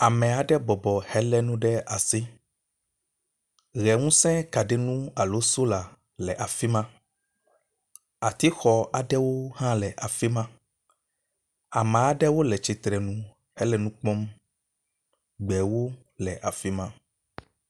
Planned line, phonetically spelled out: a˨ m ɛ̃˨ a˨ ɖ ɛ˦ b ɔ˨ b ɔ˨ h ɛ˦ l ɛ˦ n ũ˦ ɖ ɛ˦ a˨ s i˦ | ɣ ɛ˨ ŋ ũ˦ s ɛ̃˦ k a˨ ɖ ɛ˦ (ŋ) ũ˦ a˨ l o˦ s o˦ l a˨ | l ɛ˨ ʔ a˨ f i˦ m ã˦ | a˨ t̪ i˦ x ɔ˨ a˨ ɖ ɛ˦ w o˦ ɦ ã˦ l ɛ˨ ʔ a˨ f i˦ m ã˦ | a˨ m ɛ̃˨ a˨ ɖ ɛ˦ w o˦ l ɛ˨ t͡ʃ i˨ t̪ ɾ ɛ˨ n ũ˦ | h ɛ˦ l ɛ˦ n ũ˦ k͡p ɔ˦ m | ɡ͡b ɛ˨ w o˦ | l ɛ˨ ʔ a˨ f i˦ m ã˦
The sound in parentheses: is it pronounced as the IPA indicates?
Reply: no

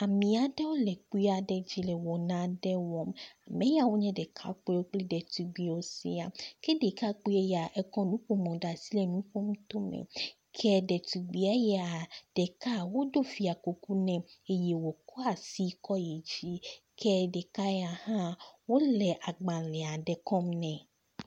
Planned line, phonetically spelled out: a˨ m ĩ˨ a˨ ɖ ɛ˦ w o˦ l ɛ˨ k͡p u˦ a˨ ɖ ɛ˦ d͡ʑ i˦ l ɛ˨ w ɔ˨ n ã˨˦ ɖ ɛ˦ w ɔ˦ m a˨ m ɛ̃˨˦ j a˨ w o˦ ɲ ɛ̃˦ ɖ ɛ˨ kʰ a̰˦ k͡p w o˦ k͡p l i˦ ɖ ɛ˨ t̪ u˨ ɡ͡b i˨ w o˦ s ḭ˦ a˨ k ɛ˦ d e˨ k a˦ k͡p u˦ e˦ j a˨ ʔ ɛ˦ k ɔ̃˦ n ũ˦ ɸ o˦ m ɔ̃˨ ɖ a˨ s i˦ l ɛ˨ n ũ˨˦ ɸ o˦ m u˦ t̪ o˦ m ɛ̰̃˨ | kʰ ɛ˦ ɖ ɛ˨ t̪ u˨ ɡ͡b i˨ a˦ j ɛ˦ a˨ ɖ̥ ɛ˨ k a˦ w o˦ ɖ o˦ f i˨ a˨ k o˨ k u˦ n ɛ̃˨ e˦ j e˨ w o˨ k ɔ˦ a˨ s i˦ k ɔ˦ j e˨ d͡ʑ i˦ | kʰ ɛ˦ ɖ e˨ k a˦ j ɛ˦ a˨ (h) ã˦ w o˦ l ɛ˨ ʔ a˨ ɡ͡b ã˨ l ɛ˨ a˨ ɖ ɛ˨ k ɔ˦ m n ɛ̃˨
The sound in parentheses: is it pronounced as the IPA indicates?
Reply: yes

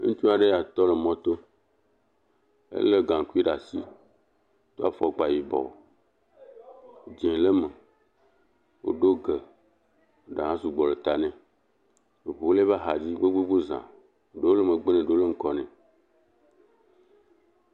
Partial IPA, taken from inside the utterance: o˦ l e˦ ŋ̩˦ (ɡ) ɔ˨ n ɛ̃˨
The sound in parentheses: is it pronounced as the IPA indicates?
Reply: no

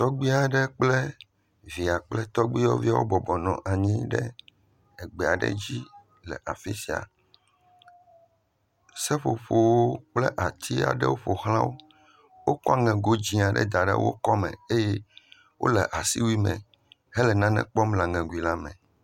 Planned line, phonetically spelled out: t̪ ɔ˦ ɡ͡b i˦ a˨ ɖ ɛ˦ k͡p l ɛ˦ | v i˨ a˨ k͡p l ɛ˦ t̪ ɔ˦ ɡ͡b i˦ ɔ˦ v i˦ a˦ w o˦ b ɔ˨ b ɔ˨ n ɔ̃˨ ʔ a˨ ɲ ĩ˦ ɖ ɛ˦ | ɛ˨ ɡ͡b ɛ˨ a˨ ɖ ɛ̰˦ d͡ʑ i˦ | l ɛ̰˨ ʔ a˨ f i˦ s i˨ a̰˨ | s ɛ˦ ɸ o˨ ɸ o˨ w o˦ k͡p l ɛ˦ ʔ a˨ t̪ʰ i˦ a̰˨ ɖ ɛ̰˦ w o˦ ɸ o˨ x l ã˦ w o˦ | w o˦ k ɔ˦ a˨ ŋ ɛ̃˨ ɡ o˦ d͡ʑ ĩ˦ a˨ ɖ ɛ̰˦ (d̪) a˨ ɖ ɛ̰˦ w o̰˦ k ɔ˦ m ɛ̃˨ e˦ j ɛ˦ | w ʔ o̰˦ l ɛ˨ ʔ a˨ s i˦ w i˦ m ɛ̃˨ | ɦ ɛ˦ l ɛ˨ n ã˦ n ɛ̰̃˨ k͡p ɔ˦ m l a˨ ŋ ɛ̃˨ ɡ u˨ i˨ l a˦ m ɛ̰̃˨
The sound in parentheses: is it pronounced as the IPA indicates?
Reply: yes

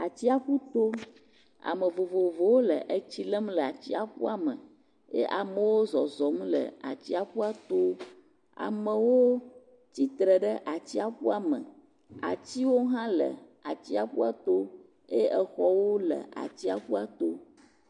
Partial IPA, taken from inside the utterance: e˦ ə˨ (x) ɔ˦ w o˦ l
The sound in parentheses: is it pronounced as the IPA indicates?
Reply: yes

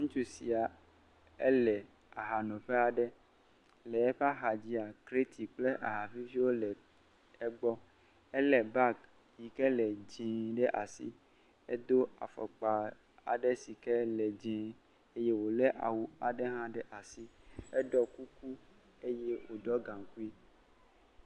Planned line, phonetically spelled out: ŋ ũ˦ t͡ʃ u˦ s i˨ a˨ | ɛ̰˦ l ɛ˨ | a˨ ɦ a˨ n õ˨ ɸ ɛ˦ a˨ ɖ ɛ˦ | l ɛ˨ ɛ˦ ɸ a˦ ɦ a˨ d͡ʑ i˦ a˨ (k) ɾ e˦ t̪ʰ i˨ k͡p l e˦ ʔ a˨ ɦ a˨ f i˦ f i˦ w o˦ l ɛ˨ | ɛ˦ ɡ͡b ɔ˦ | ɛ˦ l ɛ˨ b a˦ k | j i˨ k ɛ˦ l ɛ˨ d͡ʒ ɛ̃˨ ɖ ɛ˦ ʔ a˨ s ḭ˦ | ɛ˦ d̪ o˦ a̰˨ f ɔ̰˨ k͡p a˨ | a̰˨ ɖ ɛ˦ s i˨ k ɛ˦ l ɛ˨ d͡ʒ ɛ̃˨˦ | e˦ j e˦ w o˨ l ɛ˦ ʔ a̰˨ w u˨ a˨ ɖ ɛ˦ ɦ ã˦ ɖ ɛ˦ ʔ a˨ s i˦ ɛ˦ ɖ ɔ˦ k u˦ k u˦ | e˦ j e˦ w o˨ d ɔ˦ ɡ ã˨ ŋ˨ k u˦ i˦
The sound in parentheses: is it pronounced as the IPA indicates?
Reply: yes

